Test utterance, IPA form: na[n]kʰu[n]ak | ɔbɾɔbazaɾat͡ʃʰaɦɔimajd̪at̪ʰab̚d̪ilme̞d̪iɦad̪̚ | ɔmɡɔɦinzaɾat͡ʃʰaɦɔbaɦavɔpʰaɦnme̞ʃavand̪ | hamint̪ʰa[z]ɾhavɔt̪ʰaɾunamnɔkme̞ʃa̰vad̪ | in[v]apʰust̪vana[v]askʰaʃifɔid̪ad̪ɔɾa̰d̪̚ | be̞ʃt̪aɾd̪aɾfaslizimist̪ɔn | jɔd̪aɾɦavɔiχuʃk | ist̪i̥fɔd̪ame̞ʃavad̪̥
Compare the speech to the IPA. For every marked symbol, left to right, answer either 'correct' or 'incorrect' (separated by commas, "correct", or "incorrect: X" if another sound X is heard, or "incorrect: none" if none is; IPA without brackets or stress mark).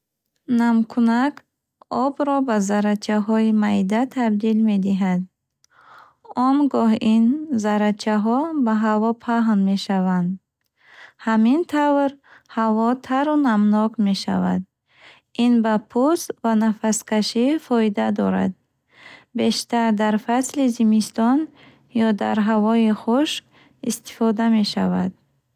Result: incorrect: m, correct, incorrect: v, incorrect: b, incorrect: f